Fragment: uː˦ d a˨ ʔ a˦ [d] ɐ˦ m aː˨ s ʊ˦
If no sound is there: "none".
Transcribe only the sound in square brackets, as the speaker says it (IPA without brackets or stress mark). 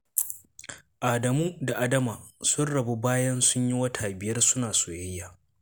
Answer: d